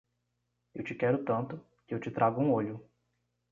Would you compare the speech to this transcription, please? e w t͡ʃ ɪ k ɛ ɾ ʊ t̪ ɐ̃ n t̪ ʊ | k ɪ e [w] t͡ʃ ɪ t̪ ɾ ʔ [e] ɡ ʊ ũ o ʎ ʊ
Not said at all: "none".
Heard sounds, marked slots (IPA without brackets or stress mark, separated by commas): w, a